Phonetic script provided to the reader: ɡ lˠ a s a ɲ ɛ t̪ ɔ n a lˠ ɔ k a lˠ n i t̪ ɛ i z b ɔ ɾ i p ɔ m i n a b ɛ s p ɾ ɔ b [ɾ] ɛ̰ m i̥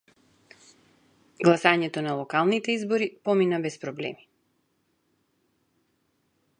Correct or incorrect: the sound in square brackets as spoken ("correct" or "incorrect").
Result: incorrect